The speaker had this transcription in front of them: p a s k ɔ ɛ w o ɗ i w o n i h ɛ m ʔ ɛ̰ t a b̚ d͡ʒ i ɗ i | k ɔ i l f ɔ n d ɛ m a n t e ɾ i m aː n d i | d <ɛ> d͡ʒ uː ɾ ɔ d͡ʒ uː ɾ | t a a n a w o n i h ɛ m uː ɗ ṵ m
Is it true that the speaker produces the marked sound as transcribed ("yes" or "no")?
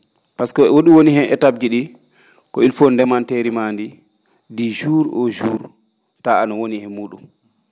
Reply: no